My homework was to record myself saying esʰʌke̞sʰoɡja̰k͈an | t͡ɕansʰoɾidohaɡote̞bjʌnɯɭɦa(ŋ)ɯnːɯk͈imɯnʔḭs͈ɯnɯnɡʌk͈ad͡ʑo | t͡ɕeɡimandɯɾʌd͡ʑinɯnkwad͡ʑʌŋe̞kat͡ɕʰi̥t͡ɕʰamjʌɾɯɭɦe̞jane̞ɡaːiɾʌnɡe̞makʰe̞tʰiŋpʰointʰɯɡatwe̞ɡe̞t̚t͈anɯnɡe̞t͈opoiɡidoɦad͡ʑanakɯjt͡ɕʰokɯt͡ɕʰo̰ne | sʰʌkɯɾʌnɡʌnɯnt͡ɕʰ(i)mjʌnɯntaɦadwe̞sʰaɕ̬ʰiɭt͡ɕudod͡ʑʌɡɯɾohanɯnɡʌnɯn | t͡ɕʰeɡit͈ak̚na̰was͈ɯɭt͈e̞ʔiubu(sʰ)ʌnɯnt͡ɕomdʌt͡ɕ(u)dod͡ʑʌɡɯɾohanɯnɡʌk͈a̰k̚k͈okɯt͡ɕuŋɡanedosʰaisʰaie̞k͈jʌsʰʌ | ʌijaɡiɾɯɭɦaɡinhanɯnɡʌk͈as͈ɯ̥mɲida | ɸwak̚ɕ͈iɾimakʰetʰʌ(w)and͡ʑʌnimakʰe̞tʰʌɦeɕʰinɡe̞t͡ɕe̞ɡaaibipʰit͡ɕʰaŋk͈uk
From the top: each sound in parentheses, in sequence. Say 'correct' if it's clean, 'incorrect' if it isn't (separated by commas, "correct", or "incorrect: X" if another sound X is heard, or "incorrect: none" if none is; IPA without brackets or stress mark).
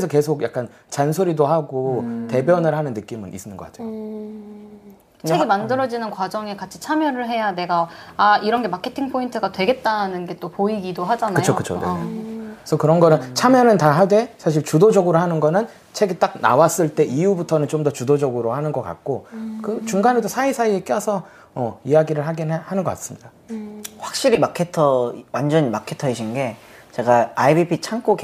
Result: incorrect: n, incorrect: a, incorrect: tʰ, correct, correct